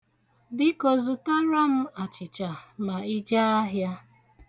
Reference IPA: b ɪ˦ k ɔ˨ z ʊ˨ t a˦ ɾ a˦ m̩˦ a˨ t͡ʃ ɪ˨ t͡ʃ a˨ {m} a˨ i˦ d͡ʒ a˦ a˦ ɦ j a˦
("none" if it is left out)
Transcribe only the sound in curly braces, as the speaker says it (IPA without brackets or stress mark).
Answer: m